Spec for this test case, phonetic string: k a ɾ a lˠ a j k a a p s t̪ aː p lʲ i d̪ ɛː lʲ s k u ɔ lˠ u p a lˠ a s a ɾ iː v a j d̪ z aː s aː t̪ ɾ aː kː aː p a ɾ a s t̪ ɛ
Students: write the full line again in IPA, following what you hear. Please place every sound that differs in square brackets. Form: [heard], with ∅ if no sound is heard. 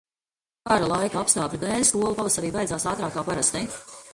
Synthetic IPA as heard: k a ɾ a lˠ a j k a a p s t̪ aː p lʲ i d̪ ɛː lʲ s k u ɔ lˠ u p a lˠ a s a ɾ iː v a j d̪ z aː s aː t̪ ɾ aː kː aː p a ɾ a s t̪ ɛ